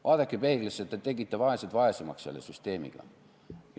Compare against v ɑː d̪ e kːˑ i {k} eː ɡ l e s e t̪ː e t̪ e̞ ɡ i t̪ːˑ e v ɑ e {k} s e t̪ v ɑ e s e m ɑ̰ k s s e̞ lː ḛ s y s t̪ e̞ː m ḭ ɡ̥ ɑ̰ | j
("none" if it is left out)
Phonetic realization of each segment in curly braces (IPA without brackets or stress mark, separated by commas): p, none